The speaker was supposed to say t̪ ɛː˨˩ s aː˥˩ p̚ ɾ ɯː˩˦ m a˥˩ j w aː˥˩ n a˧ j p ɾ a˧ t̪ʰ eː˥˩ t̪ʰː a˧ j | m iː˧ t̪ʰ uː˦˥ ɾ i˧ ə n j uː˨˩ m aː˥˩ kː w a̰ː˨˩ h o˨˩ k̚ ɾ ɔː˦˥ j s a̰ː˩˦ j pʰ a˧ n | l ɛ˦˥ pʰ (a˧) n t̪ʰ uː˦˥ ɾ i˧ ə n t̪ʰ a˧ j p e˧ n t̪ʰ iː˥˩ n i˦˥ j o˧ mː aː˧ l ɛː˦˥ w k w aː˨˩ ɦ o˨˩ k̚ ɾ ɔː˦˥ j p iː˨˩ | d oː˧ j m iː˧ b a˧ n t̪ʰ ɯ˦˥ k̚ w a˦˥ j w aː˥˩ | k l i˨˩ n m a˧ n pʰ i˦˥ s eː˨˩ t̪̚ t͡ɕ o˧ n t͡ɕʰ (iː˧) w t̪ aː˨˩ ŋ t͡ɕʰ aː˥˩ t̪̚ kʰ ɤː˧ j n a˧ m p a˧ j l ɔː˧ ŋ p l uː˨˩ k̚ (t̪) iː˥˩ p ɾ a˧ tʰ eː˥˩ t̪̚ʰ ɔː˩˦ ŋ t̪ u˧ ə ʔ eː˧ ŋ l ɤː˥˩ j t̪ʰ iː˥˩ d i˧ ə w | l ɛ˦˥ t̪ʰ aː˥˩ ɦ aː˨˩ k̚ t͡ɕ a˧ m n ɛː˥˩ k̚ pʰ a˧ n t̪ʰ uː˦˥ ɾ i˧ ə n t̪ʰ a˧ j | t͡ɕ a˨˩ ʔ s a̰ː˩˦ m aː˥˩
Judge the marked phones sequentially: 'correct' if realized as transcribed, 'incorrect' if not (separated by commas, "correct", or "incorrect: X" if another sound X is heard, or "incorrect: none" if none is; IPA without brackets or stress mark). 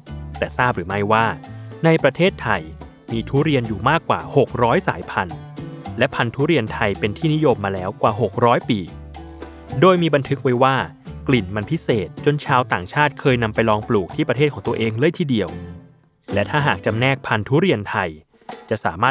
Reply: correct, incorrect: aː˧, incorrect: t̪ʰ